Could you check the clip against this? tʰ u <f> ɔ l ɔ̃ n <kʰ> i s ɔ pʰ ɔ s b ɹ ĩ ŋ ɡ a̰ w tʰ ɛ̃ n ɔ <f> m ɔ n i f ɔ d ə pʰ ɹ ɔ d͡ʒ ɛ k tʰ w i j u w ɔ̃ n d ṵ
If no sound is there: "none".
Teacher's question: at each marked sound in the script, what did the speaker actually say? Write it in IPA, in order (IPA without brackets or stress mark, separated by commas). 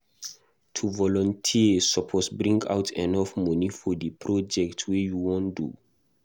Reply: v, tʰ, f